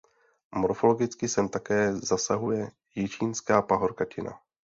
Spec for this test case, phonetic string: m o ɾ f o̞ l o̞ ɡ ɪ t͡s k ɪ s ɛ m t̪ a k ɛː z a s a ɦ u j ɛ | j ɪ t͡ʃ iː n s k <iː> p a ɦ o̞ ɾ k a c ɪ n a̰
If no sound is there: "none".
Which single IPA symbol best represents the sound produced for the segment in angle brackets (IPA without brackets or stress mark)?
aː